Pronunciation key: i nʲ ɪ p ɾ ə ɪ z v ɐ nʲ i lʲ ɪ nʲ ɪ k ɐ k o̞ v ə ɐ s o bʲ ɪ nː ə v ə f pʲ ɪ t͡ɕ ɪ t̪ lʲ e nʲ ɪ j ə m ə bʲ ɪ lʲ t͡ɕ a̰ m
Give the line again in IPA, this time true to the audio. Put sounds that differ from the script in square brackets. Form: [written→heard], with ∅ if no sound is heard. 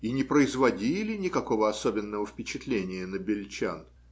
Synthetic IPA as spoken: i nʲ ɪ p ɾ ə ɪ z v ɐ [nʲ→dʲ] i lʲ ɪ nʲ ɪ k ɐ k o̞ v ə ɐ s o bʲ ɪ nː ə v ə f pʲ ɪ t͡ɕ ɪ t̪ lʲ e nʲ ɪ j ə [m→n] ə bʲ ɪ lʲ t͡ɕ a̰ [m→n]